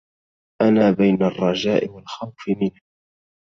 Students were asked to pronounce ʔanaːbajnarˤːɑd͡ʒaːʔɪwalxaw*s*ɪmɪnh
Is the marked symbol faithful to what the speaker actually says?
no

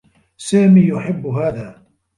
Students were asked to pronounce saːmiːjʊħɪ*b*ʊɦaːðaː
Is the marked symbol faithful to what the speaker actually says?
no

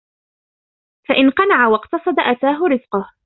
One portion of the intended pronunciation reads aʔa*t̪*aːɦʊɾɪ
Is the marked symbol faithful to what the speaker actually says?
yes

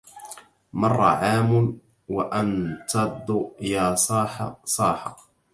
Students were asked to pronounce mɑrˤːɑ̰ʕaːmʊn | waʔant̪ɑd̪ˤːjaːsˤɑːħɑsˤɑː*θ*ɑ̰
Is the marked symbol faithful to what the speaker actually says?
no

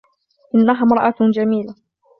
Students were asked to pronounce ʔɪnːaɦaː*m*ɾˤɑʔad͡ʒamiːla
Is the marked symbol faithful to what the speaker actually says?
yes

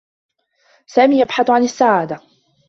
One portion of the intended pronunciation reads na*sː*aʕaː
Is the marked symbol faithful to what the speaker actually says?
yes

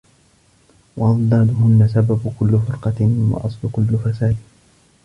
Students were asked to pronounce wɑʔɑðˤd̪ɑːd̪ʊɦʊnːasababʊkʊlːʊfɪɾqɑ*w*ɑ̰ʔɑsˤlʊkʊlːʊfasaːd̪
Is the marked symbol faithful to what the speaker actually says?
yes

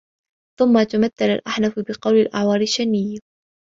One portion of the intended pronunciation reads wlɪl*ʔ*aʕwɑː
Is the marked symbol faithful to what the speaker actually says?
yes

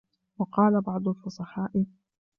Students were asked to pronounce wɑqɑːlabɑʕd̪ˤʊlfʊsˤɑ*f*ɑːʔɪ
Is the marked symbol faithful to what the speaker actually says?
no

